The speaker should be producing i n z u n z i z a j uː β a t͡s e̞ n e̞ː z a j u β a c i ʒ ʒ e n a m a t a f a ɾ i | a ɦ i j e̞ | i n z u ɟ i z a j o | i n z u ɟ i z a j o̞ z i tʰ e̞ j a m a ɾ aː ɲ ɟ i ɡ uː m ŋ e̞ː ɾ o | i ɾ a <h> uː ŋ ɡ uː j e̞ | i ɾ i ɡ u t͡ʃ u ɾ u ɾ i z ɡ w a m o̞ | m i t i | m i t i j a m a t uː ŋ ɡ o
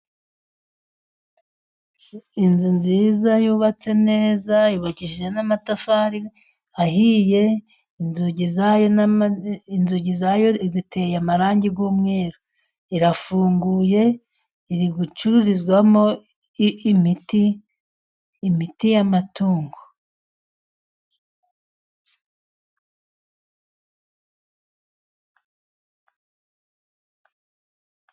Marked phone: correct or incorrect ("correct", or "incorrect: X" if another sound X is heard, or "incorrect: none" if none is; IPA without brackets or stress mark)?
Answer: incorrect: f